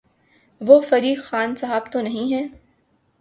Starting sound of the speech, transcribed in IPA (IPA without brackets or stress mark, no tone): ʋ